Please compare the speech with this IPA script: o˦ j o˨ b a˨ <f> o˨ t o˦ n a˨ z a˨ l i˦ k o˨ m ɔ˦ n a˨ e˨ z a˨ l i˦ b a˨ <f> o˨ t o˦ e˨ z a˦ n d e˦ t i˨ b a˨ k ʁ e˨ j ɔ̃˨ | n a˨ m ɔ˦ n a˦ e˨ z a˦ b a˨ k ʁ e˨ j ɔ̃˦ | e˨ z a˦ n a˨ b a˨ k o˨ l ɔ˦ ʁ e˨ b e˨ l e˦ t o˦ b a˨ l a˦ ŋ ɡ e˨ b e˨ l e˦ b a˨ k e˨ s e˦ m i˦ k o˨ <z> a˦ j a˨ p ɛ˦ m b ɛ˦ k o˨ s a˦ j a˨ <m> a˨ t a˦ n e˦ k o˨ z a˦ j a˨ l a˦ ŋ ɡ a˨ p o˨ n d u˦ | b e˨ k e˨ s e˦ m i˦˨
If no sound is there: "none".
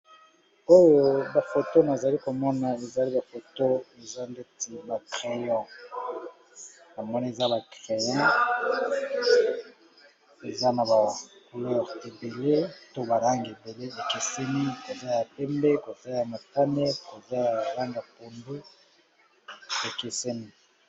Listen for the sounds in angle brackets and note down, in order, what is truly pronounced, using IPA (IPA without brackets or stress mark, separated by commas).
f, f, z, m